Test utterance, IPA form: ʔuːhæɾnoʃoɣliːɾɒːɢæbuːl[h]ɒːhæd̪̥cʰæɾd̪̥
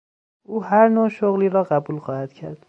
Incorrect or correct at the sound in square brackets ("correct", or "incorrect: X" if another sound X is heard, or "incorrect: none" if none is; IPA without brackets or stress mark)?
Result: incorrect: x